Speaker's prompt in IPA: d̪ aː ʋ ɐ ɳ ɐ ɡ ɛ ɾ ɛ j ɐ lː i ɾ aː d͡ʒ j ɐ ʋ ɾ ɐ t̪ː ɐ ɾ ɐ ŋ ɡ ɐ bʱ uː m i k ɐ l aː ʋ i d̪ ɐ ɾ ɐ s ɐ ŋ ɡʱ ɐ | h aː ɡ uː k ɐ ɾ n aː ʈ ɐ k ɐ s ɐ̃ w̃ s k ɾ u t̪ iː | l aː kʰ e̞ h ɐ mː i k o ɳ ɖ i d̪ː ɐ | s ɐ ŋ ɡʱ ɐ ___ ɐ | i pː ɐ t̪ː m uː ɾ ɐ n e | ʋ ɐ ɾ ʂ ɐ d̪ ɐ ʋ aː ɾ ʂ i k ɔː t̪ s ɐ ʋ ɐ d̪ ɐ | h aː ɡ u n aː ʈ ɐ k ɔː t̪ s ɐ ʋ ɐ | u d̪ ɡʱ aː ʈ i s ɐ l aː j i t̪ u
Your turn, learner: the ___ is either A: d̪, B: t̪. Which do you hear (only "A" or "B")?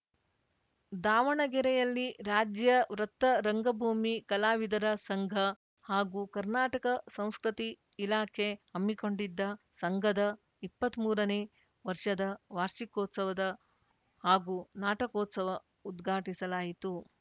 A